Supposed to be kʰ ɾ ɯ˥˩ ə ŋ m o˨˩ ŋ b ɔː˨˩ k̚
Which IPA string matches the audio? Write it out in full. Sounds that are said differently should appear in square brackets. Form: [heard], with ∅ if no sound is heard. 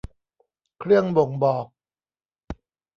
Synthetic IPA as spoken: kʰ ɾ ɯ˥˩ ə ŋ [b] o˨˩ ŋ b ɔː˨˩ k̚